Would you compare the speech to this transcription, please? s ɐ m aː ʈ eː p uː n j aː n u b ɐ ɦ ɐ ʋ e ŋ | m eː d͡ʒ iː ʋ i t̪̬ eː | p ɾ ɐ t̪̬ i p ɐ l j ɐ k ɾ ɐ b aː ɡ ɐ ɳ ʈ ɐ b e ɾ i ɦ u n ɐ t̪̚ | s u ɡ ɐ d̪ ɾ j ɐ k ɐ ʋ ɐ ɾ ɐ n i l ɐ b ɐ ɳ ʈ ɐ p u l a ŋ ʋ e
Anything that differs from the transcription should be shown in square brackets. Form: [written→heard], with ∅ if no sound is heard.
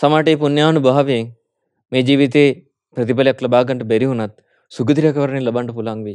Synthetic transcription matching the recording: s ɐ m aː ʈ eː p [uː→u] n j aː n u b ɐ ɦ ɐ ʋ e ŋ | m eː d͡ʒ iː ʋ i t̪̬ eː | p ɾ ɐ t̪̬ i p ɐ l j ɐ k [ɾ→l] ɐ b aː ɡ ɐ ɳ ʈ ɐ b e ɾ i ɦ u n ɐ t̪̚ | s u ɡ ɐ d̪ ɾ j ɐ k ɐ ʋ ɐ ɾ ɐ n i l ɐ b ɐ ɳ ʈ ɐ p u l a ŋ ʋ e